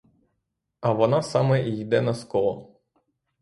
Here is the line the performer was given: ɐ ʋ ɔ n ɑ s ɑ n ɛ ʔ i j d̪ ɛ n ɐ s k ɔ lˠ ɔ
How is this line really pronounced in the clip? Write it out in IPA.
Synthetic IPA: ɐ ʋ ɔ n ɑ s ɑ m ɛ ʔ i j d̪ ɛ n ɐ s k ɔ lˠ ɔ

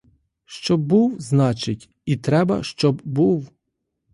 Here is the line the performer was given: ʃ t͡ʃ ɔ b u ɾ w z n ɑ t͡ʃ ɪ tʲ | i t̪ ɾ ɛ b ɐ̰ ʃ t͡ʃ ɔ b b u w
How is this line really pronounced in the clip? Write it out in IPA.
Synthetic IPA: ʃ t͡ʃ ɔ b u w z n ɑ t͡ʃ ɪ tʲ | i t̪ ɾ ɛ b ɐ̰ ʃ t͡ʃ ɔ b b u w

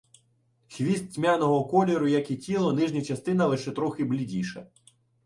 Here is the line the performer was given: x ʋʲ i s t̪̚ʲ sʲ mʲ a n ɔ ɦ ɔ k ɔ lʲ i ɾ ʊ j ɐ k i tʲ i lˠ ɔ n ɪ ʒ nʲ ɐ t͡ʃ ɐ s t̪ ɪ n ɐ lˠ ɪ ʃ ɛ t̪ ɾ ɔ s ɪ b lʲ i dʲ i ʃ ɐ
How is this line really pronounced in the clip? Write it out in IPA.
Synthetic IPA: x ʋʲ i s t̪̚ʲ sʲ mʲ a n ɔ ɦ ɔ k ɔ lʲ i ɾ ʊ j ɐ k i tʲ i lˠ ɔ n ɪ ʒ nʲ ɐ t͡ʃ ɐ s t̪ ɪ n ɐ lˠ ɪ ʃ ɛ t̪ ɾ ɔ x ɪ b lʲ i dʲ i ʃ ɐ

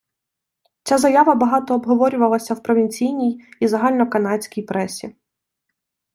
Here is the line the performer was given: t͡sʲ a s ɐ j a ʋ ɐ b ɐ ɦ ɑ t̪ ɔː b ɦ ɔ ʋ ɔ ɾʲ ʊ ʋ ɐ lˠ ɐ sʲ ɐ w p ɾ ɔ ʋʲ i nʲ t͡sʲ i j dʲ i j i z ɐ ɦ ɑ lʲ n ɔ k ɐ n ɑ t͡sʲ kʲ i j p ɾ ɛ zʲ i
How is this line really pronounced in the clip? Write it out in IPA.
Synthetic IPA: t͡sʲ a z ɐ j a ʋ ɐ b ɐ ɦ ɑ t̪ ɔː b ɦ ɔ ʋ ɔ ɾʲ ʊ ʋ ɐ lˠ ɐ sʲ ɐ w p ɾ ɔ ʋʲ i nʲ t͡sʲ i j nʲ i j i z ɐ ɦ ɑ lʲ n ɔ k ɐ n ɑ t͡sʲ kʲ i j p ɾ ɛ sʲ i

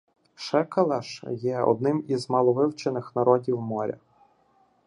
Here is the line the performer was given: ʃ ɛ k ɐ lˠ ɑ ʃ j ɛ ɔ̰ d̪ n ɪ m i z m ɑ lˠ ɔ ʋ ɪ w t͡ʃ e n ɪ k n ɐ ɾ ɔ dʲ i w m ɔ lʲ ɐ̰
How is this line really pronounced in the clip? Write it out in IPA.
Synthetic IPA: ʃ ɛ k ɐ lˠ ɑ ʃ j ɛ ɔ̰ d̪ n ɪ m i z m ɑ lˠ ɔ ʋ ɪ w t͡ʃ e n ɪ x n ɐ ɾ ɔ dʲ i w m ɔ ɾʲ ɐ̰

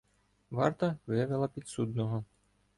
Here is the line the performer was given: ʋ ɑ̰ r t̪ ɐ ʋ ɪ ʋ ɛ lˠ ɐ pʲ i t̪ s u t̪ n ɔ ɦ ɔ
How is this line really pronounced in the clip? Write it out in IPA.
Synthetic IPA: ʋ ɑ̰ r t̪ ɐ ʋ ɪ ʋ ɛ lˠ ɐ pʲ i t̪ s u d̪ n ɔ ɦ ɔ

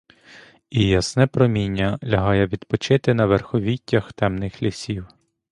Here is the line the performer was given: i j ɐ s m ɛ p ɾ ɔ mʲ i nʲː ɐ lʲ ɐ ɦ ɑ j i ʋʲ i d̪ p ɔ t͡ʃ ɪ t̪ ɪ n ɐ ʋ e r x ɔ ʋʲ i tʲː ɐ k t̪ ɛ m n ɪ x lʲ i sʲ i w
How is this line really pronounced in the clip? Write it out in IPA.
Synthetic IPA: i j ɐ s n ɛ p ɾ ɔ mʲ i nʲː ɐ lʲ ɐ ɦ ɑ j ɛ ʋʲ i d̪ p ɔ t͡ʃ ɪ t̪ ɪ n ɐ ʋ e r x ɔ ʋʲ i tʲː ɐ x t̪ ɛ m n ɪ x lʲ i sʲ i w

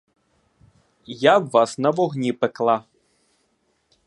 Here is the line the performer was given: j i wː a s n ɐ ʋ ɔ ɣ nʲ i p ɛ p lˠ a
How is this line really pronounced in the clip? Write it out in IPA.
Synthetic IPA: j a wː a s n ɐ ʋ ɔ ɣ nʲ i p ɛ k lˠ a

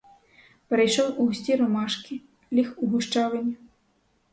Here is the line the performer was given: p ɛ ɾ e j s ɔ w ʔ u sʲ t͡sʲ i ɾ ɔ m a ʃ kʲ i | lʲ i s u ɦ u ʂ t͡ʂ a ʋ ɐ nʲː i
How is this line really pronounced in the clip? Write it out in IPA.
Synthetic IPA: p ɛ ɾ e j ʃ ɔ w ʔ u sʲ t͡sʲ i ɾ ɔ m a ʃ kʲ i | lʲ i x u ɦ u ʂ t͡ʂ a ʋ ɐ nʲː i

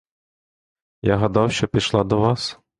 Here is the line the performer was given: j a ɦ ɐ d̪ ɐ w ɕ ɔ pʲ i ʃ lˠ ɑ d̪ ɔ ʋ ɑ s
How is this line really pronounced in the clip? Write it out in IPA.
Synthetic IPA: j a ɦ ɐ d̪ ɑ w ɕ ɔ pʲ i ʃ lˠ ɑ d̪ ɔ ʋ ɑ s

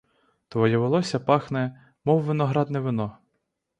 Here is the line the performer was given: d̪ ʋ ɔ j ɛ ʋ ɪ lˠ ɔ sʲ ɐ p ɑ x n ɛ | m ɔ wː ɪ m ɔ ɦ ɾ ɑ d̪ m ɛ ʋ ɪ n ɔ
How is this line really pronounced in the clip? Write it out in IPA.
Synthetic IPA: t̪ ʋ ɔ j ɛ ʋ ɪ lˠ ɔ sʲ ɐ p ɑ x n ɛ | m ɔ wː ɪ n ɔ ɦ ɾ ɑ d̪ n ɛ ʋ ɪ n ɔ

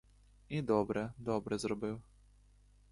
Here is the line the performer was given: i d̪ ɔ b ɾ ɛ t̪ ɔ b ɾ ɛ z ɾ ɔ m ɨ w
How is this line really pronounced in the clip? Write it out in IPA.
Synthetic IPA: i d̪ ɔ b ɾ ɛ d̪ ɔ b ɾ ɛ z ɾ ɔ b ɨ w

